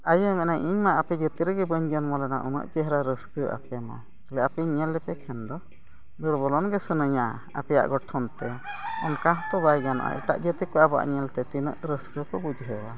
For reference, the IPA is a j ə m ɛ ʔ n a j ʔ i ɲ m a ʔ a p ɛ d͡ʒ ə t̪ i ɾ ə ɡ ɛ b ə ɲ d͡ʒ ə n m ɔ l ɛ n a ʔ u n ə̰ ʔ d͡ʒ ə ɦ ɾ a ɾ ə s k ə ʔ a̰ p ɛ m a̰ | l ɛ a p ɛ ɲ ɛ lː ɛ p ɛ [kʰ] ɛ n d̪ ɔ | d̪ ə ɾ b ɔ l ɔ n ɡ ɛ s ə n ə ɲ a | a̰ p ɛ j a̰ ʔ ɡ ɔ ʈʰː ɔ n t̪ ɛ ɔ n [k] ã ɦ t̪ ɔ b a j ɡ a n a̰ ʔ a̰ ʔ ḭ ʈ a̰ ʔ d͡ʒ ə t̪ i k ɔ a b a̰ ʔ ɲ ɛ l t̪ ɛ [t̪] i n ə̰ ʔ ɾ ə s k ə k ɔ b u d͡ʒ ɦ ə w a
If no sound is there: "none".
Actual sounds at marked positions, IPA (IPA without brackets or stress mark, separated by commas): kʰ, k, t̪